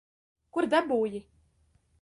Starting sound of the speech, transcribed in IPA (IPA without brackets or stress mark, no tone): k